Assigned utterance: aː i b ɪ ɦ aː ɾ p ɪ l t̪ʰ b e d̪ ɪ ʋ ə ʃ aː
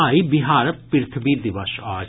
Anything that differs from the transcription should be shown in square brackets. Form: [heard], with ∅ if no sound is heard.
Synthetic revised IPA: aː i b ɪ ɦ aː ɾ p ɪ [ɾ] t̪ʰ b [i] d̪ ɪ ʋ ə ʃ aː